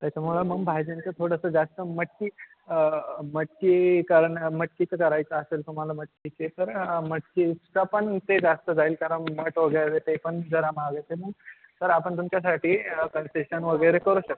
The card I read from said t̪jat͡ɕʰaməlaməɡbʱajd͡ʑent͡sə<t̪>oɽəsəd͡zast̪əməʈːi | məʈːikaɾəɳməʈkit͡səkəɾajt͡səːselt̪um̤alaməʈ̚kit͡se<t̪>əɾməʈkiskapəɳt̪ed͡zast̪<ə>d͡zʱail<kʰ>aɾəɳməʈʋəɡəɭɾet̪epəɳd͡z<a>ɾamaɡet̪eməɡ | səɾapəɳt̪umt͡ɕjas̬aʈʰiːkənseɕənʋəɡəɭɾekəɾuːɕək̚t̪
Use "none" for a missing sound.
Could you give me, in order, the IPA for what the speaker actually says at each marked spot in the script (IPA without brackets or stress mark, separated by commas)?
t̪ʰ, t̪, ə, k, ə